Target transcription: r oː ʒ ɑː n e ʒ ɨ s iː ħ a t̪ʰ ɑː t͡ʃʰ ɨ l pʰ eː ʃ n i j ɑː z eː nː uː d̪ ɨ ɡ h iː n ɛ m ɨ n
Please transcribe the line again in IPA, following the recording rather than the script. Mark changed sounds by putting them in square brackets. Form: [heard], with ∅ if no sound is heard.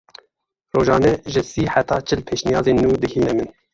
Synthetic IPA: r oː ʒ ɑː n [ɛ] ʒ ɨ s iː ħ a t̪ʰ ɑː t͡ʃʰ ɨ l pʰ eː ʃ n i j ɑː z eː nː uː d̪ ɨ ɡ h iː n ɛ m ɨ n